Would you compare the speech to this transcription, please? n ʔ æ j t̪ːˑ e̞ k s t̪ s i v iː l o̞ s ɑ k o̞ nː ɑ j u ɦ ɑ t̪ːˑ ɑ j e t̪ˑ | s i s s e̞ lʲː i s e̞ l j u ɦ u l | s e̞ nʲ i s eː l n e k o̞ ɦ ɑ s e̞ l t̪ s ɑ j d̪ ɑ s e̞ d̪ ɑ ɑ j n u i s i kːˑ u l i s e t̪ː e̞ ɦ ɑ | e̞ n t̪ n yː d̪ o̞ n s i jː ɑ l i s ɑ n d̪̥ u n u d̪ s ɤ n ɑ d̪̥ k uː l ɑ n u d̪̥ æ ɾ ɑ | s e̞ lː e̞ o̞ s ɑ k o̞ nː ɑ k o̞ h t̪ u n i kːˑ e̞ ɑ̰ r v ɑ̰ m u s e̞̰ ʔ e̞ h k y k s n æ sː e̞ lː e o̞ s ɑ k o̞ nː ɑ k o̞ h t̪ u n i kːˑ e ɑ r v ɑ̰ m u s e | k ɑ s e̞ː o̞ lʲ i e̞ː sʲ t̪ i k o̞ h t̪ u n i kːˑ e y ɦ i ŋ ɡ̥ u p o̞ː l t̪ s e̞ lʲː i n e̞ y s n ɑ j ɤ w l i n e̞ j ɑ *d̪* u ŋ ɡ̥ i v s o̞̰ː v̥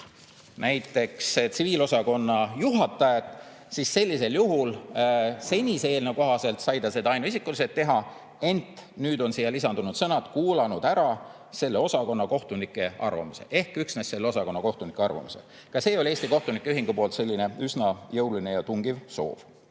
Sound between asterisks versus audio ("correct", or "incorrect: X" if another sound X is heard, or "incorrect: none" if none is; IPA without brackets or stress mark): incorrect: t̪